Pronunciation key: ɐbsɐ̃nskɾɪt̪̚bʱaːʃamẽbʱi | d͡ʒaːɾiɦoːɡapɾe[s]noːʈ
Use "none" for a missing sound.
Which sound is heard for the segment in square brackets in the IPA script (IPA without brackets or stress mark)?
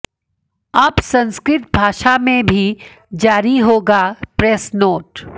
s